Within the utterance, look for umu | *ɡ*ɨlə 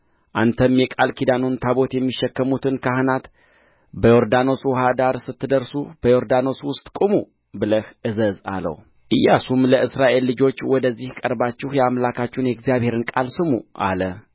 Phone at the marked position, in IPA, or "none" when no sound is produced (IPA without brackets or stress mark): b